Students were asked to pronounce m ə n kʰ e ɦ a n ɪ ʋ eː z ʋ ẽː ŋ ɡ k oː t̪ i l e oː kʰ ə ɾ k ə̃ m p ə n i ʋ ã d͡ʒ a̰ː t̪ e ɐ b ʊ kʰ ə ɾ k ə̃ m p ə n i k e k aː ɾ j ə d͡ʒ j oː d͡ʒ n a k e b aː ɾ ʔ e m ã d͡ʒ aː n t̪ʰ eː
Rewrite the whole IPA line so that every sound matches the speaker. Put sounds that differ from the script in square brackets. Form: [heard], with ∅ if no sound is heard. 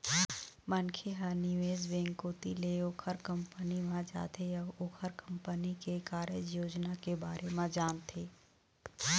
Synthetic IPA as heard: m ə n kʰ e ɦ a n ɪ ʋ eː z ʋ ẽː ŋ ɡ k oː t̪ i l e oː kʰ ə ɾ k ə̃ m p ə n i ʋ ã d͡ʒ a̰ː t̪ e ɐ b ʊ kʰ ə ɾ k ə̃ m p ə n i k e k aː ɾ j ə d͡ʒ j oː d͡ʒ n a k e b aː ɾ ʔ e m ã d͡ʒ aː n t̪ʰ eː